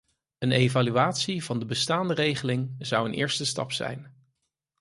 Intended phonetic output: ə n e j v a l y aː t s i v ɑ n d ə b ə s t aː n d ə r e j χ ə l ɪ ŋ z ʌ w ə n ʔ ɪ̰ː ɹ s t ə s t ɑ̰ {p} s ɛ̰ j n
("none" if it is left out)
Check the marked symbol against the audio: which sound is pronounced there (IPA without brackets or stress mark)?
p